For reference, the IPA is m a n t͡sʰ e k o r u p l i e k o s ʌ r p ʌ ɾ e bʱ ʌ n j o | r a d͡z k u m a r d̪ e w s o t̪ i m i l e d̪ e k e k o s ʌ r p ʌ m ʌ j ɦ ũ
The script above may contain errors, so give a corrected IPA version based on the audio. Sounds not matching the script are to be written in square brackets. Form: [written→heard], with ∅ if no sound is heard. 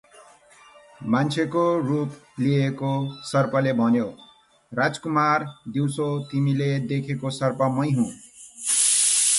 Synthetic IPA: m a n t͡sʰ e k o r u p l i e k o s ʌ r p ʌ [ɾ→l] e bʱ ʌ n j o | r a d͡z k u m a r d̪ [e→i] w s o t̪ i m i l e d̪ e [k→kʰ] e k o s ʌ r p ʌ m ʌ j ɦ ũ